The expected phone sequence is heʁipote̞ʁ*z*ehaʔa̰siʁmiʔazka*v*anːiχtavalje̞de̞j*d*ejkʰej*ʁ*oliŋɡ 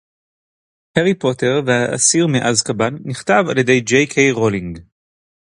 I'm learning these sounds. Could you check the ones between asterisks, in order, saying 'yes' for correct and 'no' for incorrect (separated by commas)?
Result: no, no, no, yes